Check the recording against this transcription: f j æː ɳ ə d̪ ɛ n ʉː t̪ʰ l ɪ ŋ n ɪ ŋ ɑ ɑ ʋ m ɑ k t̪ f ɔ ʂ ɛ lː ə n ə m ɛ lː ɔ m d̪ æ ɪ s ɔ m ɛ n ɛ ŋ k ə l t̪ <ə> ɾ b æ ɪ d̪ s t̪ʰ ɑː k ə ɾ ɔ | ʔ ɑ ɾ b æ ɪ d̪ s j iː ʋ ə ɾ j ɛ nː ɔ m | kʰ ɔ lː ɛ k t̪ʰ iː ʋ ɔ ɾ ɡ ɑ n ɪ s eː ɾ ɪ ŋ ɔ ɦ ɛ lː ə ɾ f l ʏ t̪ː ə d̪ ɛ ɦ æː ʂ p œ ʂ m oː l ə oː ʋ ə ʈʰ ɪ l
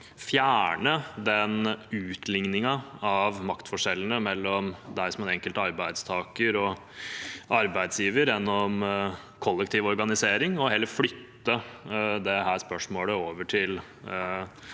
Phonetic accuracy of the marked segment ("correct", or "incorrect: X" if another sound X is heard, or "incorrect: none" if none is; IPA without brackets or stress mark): incorrect: ɑ